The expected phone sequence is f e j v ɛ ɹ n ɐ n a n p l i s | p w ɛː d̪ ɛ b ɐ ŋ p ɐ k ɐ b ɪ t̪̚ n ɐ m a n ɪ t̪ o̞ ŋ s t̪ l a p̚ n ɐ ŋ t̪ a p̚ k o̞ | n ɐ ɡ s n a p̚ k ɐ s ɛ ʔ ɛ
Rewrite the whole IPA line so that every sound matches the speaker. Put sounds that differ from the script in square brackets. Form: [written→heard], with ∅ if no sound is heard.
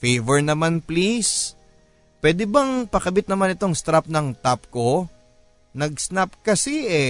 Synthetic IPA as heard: f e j v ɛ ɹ n ɐ [n→m] a n p l i s | p w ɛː d̪ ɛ b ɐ ŋ p ɐ k ɐ b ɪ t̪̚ n ɐ m a n ɪ t̪ o̞ ŋ s t̪ [l→ɾ] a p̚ n ɐ ŋ t̪ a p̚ k o̞ | n ɐ ɡ s n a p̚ k ɐ s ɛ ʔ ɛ